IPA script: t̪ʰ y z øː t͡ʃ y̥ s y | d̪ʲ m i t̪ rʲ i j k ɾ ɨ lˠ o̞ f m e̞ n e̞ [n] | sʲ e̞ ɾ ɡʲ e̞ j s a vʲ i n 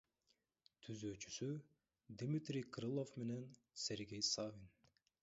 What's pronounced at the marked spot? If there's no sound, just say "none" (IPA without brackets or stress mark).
n